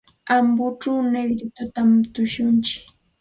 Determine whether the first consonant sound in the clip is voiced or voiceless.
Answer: voiced